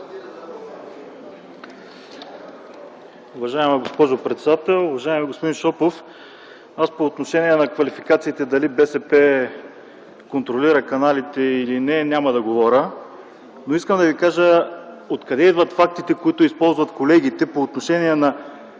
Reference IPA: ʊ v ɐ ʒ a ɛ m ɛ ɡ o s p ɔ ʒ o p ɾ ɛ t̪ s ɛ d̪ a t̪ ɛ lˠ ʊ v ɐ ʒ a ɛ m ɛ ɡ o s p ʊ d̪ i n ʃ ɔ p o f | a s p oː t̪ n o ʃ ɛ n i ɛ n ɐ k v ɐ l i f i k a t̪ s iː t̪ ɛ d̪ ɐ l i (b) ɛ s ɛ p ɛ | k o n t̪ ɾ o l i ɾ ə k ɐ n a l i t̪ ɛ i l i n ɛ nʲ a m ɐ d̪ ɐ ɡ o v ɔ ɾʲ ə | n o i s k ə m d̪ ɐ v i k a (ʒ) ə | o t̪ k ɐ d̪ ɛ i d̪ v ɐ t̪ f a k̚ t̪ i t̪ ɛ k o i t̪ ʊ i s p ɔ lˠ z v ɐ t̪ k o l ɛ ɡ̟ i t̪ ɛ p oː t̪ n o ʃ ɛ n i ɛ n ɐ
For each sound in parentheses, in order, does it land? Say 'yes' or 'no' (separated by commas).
yes, yes